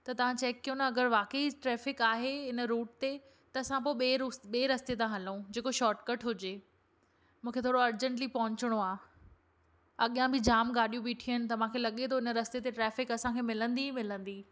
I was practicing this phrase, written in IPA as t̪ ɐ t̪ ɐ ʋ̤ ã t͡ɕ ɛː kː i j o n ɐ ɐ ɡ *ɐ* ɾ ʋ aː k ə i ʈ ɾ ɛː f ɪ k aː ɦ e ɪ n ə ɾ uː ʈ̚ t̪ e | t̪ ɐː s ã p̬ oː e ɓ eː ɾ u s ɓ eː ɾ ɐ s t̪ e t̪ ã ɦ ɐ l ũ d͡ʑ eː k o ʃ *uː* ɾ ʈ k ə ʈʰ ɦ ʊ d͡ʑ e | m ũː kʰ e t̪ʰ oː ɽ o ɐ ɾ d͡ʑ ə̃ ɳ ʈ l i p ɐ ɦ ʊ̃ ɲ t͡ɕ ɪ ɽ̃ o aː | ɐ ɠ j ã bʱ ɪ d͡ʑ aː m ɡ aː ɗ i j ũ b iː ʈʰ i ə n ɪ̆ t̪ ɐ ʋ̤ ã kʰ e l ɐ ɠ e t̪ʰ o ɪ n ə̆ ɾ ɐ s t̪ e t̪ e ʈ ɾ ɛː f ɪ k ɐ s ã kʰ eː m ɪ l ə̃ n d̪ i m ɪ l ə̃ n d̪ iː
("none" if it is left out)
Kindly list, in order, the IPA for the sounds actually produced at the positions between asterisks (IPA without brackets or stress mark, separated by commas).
ə, ɔː